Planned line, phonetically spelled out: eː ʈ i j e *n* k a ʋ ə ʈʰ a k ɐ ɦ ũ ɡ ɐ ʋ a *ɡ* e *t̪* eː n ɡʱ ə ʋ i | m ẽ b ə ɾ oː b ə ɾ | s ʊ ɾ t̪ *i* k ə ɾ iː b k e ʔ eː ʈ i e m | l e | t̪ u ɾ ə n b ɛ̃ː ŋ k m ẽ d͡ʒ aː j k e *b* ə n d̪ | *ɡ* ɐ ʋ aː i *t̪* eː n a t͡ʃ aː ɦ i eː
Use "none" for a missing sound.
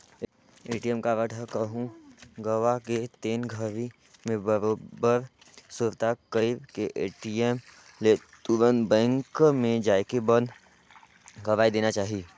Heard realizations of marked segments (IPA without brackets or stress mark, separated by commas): m, k, t̪, a, b, ɡ, d̪